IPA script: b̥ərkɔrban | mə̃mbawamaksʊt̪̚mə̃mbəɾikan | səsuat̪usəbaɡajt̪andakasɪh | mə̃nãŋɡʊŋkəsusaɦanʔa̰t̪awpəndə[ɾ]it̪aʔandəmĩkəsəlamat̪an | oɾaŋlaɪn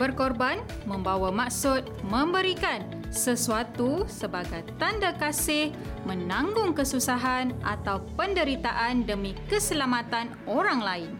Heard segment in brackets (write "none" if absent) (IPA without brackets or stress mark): ɾ